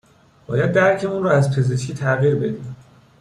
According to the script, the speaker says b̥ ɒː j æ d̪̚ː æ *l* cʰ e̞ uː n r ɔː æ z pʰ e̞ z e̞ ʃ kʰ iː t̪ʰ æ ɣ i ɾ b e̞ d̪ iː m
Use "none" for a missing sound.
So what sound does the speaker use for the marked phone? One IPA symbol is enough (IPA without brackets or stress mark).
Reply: ɾ